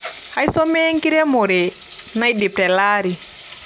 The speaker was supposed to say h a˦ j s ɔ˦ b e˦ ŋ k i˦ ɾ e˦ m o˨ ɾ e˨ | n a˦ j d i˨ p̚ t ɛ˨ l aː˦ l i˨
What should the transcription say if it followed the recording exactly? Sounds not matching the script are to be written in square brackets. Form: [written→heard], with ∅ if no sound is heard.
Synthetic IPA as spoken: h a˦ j s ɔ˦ [b→m] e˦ ŋ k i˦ ɾ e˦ m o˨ ɾ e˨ | n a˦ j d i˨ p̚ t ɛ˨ l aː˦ [l→ɾ] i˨